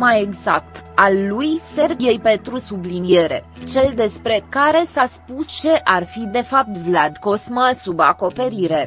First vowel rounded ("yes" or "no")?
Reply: no